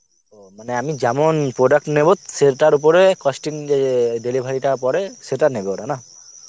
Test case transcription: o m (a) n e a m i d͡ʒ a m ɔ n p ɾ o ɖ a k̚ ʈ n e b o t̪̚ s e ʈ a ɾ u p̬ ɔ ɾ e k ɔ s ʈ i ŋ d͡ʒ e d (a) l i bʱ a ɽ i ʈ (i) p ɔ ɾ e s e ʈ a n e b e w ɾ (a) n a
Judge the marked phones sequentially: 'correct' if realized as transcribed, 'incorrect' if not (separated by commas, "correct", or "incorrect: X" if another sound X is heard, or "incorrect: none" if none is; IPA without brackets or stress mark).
correct, incorrect: e, incorrect: a, correct